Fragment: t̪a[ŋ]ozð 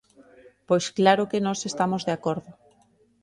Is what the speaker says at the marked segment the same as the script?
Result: no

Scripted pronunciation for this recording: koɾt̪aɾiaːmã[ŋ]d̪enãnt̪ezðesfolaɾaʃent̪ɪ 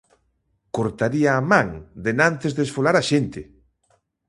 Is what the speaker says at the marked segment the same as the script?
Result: yes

